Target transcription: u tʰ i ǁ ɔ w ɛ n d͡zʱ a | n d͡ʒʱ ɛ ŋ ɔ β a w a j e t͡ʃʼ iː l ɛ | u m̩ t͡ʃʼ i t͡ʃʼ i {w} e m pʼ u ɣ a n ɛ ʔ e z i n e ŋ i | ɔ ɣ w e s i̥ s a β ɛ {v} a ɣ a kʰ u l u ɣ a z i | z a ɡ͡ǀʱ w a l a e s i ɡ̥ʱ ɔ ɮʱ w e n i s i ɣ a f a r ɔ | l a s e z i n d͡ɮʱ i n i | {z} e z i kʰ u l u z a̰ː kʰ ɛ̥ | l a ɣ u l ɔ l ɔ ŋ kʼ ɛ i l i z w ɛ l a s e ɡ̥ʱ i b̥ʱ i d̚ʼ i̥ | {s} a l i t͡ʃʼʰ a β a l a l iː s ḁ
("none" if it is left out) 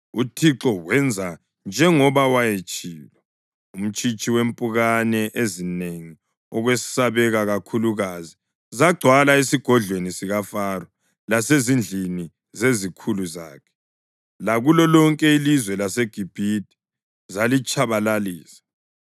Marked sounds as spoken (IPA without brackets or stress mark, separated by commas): w, ɣ, z, z